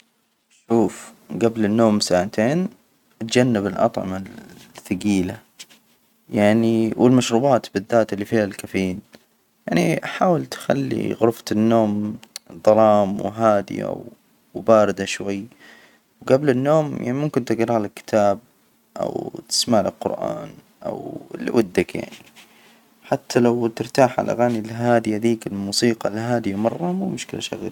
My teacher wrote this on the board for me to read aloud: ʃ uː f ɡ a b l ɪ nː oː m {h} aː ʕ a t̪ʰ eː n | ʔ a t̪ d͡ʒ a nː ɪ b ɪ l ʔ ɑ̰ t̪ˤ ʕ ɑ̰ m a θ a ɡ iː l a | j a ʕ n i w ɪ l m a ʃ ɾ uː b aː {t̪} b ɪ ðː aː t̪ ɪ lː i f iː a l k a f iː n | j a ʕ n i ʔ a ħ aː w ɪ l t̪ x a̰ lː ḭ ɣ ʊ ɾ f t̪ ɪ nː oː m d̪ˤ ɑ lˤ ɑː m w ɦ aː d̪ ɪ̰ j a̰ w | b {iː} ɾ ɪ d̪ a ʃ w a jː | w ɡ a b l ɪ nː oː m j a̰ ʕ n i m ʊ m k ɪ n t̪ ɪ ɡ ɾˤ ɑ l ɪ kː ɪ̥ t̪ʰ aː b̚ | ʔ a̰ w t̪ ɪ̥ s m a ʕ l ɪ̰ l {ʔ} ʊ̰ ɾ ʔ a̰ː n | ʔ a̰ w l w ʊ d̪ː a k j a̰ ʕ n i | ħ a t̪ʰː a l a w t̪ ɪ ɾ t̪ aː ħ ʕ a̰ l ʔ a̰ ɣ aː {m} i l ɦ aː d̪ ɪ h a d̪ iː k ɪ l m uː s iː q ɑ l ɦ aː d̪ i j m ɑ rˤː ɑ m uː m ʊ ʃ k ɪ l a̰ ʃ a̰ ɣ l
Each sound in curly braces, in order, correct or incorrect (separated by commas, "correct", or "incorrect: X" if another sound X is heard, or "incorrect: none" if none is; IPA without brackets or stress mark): incorrect: s, correct, incorrect: aː, incorrect: q, incorrect: n